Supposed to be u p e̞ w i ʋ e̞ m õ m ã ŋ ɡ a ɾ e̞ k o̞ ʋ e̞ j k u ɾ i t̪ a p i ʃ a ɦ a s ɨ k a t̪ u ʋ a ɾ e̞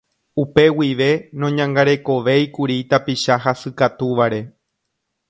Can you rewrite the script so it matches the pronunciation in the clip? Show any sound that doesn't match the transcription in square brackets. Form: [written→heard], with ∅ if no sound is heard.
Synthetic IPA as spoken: u p e̞ w i ʋ e̞ [m→n] õ [m→ɲ] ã ŋ ɡ a ɾ e̞ k o̞ ʋ e̞ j k u ɾ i t̪ a p i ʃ a ɦ a s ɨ k a t̪ u ʋ a ɾ e̞